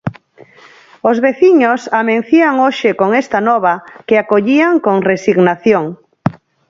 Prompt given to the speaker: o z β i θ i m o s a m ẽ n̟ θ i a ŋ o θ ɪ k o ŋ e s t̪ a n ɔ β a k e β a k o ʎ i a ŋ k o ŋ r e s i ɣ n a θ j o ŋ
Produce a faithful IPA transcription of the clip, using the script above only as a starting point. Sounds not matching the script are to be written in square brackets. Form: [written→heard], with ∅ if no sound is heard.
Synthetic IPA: o z β [i→e] θ i [m→ɲ] o s a m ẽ n̟ θ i a ŋ o [θ→ʃ] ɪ k o ŋ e s t̪ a n ɔ β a k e [β→∅] a k o ʎ i a ŋ k o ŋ r e s i ɣ n a θ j o ŋ

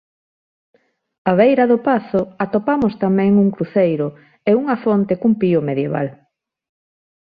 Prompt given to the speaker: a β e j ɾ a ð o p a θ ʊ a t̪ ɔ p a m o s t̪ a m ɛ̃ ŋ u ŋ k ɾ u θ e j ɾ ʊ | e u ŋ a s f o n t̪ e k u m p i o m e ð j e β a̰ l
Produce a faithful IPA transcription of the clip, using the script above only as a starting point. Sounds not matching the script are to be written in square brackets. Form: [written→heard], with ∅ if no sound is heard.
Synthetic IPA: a β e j ɾ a ð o p a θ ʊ a t̪ [ɔ→o] p a m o s t̪ a m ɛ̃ ŋ u ŋ k ɾ u θ e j ɾ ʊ | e u ŋ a [s→∅] f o n t̪ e k u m p i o m e ð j e β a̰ l

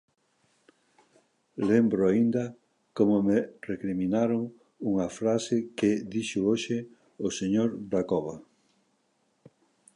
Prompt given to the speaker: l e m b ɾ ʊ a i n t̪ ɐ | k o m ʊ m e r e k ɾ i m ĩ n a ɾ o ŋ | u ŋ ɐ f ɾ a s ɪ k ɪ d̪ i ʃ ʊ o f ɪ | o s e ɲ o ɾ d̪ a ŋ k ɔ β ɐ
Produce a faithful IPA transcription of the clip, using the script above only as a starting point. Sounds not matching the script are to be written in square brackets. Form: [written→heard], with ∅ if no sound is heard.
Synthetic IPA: l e m b ɾ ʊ a i n [t̪→d̪] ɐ | k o m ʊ m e r e k ɾ i m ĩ n a ɾ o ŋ | u ŋ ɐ f ɾ a s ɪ k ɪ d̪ i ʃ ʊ o [f→ʃ] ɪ | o s e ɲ o ɾ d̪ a [ŋ→∅] k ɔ β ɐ

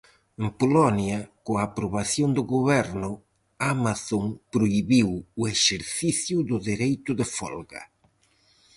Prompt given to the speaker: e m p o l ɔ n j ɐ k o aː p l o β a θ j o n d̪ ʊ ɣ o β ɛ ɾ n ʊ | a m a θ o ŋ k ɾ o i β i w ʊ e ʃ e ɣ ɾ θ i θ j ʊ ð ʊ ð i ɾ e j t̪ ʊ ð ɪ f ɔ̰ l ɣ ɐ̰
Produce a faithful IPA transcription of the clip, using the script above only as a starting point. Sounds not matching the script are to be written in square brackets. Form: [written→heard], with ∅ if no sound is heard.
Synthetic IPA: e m p o l ɔ n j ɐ k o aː p [l→ɾ] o β a θ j o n d̪ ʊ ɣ o β ɛ ɾ n ʊ | a m a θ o ŋ [k→p] ɾ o i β i w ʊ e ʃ e [ɣ→∅] ɾ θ i θ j ʊ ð ʊ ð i ɾ e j t̪ ʊ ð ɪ f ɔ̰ l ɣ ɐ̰

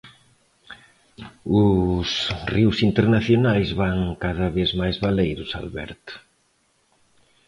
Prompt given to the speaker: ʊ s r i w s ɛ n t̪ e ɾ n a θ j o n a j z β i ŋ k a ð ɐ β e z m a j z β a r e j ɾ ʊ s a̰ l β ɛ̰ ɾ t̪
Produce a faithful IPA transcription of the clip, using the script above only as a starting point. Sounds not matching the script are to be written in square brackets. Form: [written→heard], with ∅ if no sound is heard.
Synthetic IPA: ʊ s r i w s [ɛ→i] n t̪ e ɾ n a θ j o n a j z β [i→a] ŋ k a ð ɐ β e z m a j z β a [r→l] e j ɾ ʊ s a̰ l β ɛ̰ ɾ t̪

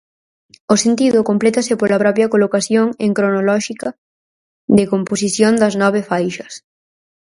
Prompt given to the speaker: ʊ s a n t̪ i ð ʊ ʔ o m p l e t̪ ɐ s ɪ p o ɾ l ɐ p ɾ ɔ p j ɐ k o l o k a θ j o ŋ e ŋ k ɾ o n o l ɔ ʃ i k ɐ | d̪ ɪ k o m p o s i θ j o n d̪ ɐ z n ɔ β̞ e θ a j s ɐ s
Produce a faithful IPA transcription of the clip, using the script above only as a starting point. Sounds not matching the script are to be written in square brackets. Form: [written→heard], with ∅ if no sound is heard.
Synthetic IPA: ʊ s [a→e] n t̪ i ð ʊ [ʔ→k] o m p l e t̪ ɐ s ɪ p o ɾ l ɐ p ɾ ɔ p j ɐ k o l o k a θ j o ŋ e ŋ k ɾ o n o l ɔ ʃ i k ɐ | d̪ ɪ k o m p o s i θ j o n d̪ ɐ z n ɔ β̞ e [θ→f] a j [s→ʃ] ɐ s

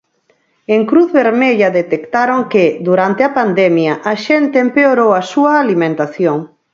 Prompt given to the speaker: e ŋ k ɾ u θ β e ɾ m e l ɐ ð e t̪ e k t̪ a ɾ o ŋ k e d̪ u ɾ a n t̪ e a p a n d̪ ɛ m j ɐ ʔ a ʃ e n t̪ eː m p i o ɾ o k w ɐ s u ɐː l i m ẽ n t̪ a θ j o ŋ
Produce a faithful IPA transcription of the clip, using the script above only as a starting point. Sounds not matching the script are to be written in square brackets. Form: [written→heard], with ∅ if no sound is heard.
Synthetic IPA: e ŋ k ɾ u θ β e ɾ m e [l→ʎ] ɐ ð e t̪ e k t̪ a ɾ o ŋ k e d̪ u ɾ a n t̪ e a p a n d̪ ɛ m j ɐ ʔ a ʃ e n t̪ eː m p [i→e] o ɾ o [k→∅] w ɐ s u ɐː l i m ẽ n t̪ a θ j o ŋ

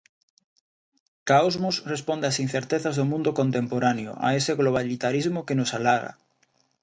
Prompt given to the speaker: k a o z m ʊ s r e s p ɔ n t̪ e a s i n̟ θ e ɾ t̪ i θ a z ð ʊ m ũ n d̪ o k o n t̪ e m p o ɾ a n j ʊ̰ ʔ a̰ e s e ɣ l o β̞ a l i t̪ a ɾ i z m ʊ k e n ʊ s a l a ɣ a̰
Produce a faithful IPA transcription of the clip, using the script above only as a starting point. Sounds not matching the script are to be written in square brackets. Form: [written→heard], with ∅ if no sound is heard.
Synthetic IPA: k a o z m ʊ s r e s p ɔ n [t̪→d̪] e a s i n̟ θ e ɾ t̪ [i→e] θ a z ð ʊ m ũ n d̪ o k o n t̪ e m p o ɾ a n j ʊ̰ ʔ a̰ e s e ɣ l o β̞ a l i t̪ a ɾ i z m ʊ k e n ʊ s a l a ɣ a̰

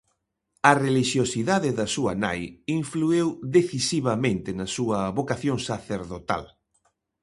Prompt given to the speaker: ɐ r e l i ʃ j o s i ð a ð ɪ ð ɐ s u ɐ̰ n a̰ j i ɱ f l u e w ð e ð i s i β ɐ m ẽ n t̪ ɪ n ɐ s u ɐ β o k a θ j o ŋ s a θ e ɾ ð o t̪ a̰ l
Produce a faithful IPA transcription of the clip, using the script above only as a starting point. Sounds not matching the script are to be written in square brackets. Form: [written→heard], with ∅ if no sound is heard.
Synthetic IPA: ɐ r e l i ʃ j o s i ð a ð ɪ ð ɐ s u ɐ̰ n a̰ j i ɱ f l u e w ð e [ð→θ] i s i β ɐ m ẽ n t̪ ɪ n ɐ s u ɐ β o k a θ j o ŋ s a θ e ɾ ð o t̪ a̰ l

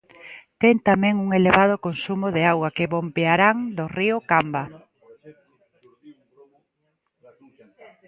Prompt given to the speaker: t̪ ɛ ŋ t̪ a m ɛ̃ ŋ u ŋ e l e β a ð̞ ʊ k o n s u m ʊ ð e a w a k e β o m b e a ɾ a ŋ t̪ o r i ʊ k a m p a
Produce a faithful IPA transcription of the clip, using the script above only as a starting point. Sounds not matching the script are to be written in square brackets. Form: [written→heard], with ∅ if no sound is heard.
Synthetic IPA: t̪ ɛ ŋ t̪ a m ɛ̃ ŋ u ŋ e l e β a ð̞ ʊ k o n s u m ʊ ð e a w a k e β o m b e a ɾ a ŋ [t̪→d̪] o r i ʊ k a m [p→b] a

